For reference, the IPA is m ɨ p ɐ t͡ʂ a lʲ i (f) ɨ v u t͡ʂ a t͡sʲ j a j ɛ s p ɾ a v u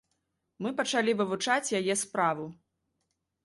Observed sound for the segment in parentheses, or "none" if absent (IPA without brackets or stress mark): v